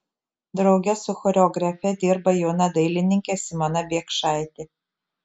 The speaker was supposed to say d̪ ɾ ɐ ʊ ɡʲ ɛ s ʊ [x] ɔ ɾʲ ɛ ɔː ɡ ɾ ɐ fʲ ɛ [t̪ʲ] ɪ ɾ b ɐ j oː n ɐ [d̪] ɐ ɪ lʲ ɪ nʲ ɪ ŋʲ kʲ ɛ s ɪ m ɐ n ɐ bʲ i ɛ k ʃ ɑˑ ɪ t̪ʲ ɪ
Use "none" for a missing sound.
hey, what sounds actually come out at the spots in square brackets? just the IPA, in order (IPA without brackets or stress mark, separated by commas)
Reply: x, d̪ʲ, d̪